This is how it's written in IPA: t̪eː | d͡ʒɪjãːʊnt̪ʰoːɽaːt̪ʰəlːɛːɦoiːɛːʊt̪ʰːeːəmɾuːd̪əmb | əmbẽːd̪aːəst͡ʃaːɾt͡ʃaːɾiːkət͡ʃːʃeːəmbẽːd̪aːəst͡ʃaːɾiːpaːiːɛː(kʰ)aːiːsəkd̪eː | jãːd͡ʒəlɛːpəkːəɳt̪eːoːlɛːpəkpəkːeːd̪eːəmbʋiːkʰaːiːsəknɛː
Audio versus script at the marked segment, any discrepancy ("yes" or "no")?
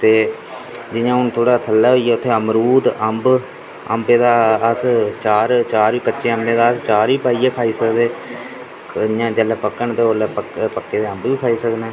no